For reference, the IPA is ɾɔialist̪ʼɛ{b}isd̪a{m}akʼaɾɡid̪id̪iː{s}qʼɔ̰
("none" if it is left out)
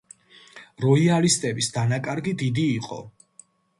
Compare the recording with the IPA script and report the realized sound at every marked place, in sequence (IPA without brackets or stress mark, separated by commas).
b, n, none